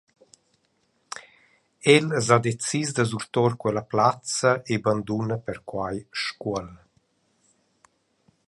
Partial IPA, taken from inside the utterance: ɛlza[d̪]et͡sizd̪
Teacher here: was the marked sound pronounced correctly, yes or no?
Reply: yes